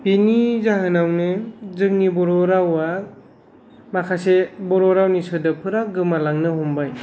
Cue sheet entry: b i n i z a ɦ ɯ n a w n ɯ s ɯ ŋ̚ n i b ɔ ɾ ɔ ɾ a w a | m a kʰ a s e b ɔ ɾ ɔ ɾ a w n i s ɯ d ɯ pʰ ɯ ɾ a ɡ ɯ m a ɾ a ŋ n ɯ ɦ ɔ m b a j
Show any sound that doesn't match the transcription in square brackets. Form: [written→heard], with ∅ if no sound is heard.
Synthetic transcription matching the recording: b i n i z a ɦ ɯ n a w n ɯ [s→z] ɯ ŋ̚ n i b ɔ ɾ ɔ ɾ a w a | m a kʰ a s e b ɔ ɾ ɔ ɾ a w n i s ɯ d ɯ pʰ ɯ ɾ a ɡ ɯ m a [ɾ→l] a ŋ n ɯ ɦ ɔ m b a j